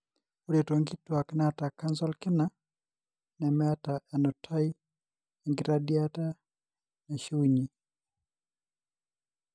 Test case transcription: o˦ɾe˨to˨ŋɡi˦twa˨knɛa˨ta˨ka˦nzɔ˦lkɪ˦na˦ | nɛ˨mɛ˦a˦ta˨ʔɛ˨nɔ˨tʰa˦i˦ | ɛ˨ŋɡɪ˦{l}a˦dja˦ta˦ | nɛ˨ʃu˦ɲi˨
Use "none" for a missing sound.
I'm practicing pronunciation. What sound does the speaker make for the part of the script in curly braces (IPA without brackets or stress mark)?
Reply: ɾ